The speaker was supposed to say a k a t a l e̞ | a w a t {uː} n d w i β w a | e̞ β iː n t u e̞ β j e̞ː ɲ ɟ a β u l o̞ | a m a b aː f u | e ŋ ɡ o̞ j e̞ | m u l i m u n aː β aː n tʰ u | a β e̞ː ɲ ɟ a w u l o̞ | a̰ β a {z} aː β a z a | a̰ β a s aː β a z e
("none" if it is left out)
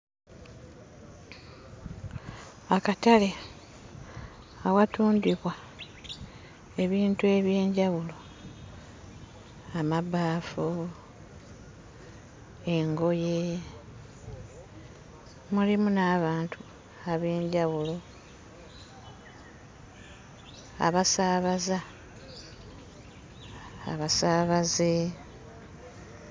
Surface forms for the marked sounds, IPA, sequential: uː, s

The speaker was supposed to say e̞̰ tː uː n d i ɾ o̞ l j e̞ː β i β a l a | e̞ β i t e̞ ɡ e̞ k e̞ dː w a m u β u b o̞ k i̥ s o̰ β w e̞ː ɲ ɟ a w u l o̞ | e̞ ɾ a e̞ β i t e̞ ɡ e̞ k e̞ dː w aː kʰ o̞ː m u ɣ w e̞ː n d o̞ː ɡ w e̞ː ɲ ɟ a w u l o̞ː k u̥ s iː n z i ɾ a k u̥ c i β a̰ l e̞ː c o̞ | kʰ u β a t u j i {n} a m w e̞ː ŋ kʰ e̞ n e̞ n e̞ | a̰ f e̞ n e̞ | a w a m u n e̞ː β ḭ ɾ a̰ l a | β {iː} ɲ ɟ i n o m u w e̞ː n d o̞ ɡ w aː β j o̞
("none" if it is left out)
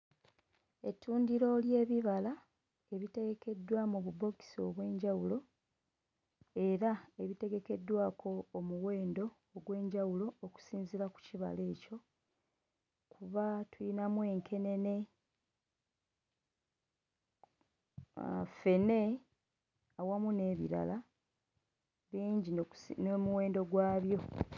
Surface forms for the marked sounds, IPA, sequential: n, iː

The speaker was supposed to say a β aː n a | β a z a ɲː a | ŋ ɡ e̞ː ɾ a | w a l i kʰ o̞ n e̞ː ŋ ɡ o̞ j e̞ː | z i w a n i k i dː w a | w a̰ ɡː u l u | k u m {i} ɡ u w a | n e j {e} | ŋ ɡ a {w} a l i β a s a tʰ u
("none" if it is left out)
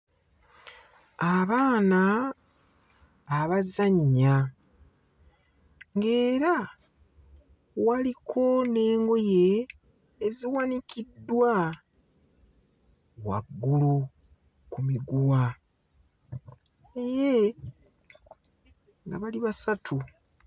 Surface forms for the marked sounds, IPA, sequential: i, e, β

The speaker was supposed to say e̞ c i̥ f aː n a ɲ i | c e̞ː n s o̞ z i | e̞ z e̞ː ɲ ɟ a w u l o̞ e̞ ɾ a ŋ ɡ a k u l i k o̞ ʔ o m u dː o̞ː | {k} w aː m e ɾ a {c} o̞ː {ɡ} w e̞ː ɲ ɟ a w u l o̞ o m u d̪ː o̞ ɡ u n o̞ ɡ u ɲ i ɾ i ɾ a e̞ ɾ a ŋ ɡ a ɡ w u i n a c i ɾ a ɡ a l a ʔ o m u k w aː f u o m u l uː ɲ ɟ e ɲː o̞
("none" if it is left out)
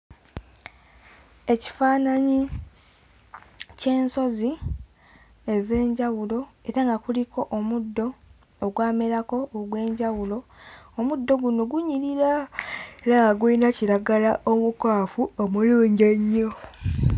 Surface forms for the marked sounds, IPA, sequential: ɡ, k, ɡ

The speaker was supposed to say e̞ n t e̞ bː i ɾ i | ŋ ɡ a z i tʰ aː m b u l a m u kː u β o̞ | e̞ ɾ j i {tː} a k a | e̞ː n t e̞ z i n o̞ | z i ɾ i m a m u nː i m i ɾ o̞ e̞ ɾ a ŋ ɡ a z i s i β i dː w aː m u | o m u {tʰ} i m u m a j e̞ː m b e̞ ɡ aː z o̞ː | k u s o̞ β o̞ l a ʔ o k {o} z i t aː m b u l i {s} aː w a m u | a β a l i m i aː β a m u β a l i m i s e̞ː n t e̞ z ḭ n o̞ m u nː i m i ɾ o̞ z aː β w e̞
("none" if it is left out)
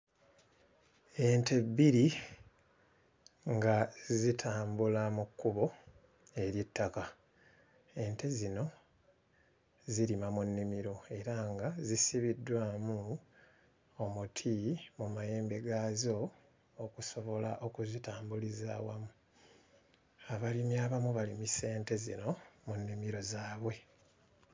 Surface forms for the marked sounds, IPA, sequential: tː, tʰ, u, z

